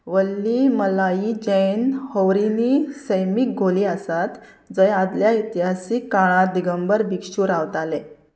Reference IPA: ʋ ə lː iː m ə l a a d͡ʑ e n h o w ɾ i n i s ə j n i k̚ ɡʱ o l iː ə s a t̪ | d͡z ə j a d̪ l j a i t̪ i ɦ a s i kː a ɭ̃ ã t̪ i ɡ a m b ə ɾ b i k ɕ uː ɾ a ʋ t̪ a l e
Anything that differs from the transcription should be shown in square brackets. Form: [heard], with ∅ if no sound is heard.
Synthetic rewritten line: ʋ ə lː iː m ə l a [i] d͡ʑ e n h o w ɾ i n i s ə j [m] i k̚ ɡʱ o l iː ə s a t̪ | d͡z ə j a d̪ l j a i t̪ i ɦ a s i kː a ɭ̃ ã [d̪] i ɡ [ə] m b ə ɾ b i k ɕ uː ɾ a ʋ t̪ a l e